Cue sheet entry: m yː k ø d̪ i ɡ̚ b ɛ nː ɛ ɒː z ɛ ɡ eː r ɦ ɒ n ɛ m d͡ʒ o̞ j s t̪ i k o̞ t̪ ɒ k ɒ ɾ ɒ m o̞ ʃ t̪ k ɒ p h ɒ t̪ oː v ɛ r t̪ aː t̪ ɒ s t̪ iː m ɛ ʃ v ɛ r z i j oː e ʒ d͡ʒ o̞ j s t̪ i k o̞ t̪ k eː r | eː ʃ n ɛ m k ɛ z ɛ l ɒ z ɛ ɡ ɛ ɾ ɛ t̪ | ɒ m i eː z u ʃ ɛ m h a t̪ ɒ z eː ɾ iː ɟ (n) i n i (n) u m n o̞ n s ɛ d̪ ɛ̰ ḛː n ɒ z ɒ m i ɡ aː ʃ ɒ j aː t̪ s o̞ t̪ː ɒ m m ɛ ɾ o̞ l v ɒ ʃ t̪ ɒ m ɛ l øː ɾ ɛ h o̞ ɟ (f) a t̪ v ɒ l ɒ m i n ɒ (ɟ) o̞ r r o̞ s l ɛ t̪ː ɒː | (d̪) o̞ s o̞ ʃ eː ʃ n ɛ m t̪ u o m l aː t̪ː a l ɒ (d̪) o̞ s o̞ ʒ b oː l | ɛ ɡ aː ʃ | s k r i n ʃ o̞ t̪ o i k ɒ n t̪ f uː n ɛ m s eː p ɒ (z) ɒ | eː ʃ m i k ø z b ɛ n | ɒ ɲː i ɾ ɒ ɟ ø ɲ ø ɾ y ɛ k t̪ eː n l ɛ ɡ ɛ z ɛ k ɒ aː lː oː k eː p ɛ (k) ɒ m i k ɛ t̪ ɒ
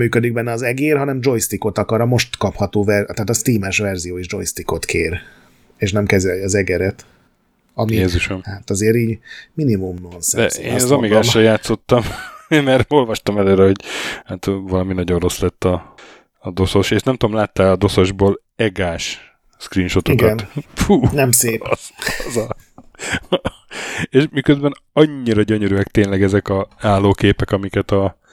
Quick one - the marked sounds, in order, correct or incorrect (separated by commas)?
incorrect, incorrect, incorrect, correct, correct, correct, correct, correct